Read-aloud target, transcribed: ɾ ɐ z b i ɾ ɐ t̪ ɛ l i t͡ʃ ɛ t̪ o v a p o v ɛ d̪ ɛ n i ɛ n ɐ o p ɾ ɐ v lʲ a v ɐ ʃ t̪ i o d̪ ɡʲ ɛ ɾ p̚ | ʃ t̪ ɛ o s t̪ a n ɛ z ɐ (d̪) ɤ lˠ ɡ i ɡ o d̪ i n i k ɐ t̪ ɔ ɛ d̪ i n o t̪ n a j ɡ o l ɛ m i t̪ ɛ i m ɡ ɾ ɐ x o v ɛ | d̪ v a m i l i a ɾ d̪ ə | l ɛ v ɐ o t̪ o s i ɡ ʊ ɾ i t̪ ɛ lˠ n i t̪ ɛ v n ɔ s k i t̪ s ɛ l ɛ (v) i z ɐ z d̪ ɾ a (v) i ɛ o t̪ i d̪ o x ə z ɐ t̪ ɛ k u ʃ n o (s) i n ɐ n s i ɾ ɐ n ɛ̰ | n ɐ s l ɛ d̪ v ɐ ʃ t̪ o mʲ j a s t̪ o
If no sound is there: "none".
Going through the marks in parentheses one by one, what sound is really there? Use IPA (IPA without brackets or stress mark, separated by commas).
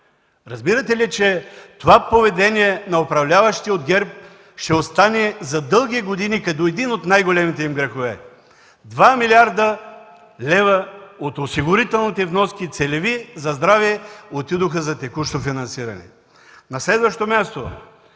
d̪, v, v, f